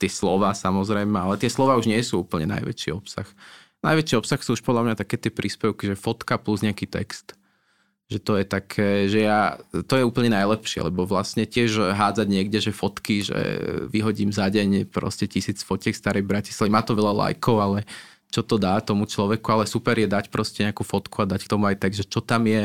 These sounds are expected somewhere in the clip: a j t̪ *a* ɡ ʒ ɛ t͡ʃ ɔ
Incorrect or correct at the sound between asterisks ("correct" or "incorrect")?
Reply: incorrect